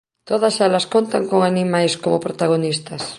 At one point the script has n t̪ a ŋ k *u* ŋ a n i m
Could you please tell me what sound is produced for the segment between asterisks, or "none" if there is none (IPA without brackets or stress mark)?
o